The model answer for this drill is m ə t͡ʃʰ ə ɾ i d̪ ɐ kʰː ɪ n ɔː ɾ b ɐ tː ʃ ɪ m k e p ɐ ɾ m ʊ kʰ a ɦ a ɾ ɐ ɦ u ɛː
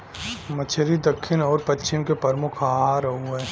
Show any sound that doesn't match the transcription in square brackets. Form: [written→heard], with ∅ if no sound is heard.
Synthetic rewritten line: m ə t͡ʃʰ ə ɾ i d̪ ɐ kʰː ɪ n ɔː ɾ [b→p] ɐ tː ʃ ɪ m k e p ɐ ɾ m ʊ kʰ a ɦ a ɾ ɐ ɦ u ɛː

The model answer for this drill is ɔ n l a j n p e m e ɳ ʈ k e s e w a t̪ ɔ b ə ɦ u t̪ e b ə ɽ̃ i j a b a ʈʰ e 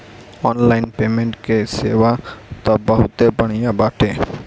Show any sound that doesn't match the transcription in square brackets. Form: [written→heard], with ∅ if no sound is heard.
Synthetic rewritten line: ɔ n l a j n p e m e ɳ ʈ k e s e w a t̪ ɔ b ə ɦ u t̪ e b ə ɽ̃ i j a b a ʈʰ e

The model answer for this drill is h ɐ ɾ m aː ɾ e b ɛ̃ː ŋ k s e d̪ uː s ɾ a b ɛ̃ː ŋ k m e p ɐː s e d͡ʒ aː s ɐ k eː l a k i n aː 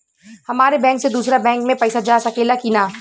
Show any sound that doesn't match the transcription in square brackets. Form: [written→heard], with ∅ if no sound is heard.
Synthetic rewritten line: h ɐ [ɾ→∅] m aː ɾ e b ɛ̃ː ŋ k s e d̪ uː s ɾ a b ɛ̃ː ŋ k m [e→ẽ] p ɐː s [e→a] d͡ʒ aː s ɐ k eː l a k i n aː

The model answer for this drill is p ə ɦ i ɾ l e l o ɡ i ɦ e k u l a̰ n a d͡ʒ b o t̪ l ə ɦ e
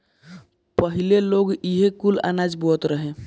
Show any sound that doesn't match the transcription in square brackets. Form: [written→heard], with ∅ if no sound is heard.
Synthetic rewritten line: p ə ɦ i [ɾ→∅] l e l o ɡ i ɦ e k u l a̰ n a d͡ʒ b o t̪ [l→ɾ] ə ɦ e

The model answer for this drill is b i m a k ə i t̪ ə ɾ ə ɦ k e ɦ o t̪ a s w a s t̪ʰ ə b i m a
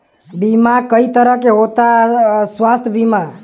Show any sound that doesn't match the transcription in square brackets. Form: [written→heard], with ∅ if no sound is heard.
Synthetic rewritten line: b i m a k ə i t̪ ə ɾ ə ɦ k e ɦ o t̪ a s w a s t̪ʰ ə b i m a

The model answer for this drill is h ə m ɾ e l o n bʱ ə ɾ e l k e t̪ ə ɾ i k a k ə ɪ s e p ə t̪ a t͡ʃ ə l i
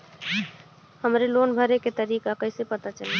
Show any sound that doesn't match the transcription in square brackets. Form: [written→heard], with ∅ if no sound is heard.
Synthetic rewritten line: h ə m ɾ e l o n bʱ ə ɾ e [l→∅] k e t̪ ə ɾ i k a k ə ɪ s e p ə t̪ a t͡ʃ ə l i

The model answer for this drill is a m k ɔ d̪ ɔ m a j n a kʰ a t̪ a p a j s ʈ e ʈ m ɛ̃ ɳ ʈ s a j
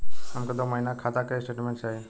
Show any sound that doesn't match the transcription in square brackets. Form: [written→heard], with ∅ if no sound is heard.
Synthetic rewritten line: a m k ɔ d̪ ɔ m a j n a kʰ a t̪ a [p→k] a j s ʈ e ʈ m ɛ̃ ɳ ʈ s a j

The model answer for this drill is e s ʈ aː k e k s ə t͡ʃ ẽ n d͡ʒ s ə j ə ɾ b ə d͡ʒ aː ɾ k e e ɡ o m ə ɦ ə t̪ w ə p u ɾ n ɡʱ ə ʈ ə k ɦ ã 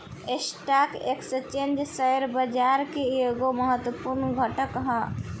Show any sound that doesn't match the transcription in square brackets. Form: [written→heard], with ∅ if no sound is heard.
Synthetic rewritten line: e s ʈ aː k e k s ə t͡ʃ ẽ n d͡ʒ s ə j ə ɾ b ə d͡ʒ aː ɾ k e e ɡ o m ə ɦ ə t̪ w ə p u ɾ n ɡʱ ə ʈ ə k ɦ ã

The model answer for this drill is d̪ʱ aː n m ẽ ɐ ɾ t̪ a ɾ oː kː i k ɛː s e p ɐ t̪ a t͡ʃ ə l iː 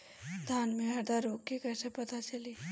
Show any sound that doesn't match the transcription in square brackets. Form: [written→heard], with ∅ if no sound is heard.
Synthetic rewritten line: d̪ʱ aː n m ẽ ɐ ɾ [t̪→d̪] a ɾ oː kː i k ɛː s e p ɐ t̪ a t͡ʃ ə l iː

